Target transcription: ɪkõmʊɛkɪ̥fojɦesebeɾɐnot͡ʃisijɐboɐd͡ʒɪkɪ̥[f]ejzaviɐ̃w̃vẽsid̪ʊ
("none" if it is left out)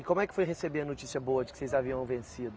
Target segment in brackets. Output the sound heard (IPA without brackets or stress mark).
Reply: s